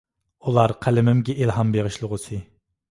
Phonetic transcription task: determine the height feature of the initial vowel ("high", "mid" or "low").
high